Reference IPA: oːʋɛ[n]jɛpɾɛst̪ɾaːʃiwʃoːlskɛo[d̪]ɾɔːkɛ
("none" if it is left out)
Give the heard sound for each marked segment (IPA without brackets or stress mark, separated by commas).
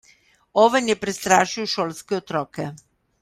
n, t̪